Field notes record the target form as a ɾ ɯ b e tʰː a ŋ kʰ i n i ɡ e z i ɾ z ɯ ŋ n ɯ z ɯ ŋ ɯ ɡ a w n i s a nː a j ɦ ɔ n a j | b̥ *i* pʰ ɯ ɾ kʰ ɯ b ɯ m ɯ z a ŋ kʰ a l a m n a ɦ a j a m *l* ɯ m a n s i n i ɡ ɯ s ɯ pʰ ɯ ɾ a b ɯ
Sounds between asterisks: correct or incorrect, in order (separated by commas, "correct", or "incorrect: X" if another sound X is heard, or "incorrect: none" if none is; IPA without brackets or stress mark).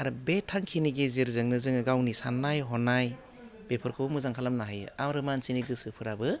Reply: incorrect: e, incorrect: ɾ